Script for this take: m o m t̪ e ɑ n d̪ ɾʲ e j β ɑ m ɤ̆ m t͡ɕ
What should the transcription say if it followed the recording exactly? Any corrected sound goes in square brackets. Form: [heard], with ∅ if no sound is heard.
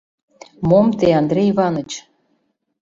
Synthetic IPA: m o m t̪ e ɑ n d̪ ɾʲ e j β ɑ [n] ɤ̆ [∅] t͡ɕ